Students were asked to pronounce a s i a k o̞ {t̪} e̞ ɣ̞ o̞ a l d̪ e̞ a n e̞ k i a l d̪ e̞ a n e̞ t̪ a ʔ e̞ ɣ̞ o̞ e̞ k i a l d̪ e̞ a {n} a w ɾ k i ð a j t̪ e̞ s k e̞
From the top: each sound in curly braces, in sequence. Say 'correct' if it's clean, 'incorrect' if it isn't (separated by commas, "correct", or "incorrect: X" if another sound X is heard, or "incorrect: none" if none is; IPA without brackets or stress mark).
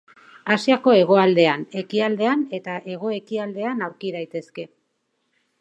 incorrect: none, correct